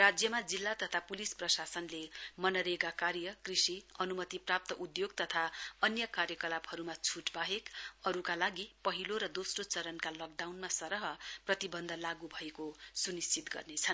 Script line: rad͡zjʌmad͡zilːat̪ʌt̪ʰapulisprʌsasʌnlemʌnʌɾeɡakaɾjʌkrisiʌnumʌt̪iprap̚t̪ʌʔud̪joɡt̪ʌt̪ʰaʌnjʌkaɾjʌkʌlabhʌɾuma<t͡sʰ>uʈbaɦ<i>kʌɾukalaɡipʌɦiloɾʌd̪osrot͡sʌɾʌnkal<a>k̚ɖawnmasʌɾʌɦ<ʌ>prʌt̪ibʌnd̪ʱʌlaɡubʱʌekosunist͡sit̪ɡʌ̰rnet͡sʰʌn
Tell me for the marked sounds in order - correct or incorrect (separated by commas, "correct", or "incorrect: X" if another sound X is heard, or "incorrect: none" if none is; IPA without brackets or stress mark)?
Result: correct, incorrect: e, incorrect: ʌ, correct